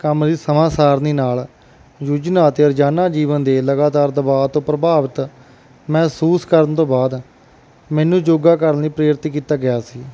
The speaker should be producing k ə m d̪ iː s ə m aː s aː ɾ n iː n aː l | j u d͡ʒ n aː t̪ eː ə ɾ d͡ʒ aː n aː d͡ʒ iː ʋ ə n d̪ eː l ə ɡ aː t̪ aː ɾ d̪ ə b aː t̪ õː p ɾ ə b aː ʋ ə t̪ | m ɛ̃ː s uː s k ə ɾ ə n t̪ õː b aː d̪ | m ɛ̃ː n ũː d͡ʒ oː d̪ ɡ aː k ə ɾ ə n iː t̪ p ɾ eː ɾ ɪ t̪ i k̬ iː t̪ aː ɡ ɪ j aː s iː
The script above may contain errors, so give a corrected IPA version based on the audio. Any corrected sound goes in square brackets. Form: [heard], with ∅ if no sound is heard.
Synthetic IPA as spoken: k ə m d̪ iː s ə m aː s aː ɾ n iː n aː l | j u d͡ʒ n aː t̪ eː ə ɾ d͡ʒ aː n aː d͡ʒ iː ʋ ə n d̪ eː l ə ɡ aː t̪ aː ɾ d̪ ə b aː t̪ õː p ɾ ə b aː ʋ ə t̪ | m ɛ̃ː s uː s k ə ɾ ə n t̪ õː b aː d̪ | m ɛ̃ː n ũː d͡ʒ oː [∅] ɡ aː k ə ɾ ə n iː [∅] p ɾ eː ɾ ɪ t̪ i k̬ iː t̪ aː ɡ ɪ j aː s iː